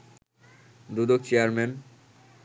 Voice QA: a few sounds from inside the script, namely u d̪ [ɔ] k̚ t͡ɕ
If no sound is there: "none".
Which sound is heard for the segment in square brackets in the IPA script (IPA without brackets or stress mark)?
o